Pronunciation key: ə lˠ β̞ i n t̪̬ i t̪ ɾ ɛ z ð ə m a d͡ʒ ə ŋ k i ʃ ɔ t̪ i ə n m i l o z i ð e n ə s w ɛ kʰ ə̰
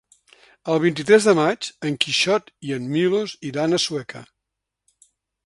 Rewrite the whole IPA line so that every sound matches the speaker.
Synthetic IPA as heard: ə lˠ β̞ i n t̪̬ i t̪ ɾ ɛ z ð ə m a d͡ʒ ə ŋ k i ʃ ɔ t̪ i ə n m i l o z i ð a n ə s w ɛ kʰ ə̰